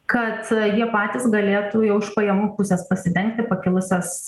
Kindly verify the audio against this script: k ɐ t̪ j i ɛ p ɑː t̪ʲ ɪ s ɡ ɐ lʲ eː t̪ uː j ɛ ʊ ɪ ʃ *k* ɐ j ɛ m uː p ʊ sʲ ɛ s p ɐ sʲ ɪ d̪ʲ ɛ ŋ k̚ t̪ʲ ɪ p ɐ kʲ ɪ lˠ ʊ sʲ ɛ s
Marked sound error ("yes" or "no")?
yes